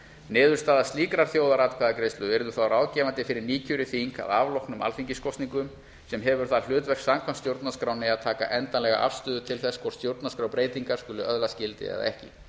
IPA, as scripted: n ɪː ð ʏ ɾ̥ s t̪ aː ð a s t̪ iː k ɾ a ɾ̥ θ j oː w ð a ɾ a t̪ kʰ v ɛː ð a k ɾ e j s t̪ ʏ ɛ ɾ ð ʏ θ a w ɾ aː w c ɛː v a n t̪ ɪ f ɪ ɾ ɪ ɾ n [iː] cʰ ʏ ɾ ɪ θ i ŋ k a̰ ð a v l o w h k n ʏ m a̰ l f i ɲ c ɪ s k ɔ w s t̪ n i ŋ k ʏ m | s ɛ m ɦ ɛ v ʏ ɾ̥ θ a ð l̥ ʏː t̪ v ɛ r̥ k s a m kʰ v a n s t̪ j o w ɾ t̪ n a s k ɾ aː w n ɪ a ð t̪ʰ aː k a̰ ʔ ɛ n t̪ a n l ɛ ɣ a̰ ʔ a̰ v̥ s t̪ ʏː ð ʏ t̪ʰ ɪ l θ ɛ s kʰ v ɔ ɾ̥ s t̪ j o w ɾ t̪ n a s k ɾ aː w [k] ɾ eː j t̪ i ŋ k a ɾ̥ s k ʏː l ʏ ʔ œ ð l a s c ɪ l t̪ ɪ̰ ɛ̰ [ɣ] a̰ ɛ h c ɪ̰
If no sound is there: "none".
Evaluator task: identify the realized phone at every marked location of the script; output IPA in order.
iː, p, ð

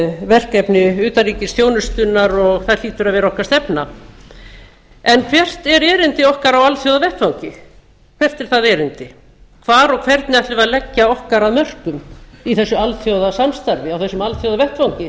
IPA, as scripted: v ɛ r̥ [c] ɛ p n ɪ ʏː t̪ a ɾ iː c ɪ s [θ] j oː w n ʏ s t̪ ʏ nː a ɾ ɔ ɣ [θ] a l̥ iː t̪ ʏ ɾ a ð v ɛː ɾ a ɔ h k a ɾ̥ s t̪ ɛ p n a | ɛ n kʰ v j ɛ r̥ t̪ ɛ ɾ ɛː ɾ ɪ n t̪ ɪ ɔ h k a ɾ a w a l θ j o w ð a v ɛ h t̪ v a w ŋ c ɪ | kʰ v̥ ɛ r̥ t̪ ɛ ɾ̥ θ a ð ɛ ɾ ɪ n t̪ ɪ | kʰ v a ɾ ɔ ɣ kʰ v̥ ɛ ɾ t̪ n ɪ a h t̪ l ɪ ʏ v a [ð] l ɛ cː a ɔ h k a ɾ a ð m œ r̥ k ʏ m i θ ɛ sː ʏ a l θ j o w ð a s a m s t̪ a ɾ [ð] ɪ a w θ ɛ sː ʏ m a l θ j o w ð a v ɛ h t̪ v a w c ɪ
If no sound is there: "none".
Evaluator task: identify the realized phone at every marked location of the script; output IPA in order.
k, θ, θ, ð, v

